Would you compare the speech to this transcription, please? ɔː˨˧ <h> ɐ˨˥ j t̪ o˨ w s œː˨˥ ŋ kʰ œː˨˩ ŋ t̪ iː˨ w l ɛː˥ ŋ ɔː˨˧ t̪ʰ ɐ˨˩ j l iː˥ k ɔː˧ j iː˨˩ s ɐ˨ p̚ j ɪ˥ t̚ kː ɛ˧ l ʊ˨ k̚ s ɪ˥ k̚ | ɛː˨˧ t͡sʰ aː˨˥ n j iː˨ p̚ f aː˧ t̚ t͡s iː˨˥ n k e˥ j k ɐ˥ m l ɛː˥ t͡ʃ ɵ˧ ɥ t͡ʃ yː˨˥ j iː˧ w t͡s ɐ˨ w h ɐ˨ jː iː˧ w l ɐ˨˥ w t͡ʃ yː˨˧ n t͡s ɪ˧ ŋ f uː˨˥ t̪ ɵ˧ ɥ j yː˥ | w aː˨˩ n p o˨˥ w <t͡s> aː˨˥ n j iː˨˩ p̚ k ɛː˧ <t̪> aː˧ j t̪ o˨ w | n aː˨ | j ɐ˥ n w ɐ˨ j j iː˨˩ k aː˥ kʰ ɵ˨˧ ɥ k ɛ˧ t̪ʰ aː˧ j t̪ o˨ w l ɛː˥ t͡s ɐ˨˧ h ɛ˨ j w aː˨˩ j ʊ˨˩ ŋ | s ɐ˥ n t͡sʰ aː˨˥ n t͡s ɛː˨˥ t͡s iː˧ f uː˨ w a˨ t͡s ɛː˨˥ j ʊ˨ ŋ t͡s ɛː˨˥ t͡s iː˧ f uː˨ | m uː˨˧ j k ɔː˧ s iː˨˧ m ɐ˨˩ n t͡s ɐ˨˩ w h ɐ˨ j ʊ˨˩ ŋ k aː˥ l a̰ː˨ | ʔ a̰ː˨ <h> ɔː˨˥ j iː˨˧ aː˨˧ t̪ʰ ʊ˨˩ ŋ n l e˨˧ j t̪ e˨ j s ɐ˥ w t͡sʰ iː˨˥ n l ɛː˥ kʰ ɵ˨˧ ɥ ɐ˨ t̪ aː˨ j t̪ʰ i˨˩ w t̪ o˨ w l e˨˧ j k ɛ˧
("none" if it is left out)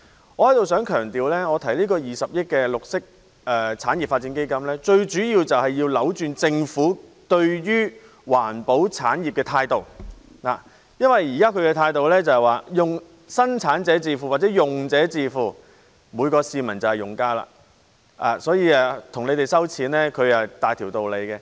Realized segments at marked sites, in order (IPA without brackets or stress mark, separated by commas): h, t͡sʰ, t̪ʰ, s